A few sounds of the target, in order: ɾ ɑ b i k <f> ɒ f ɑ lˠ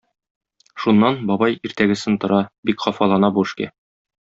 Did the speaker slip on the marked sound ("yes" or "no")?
yes